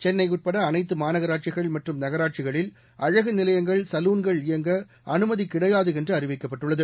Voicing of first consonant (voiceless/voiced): voiceless